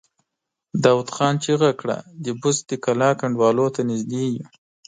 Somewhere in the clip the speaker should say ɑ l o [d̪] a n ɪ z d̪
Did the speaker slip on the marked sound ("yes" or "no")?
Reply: yes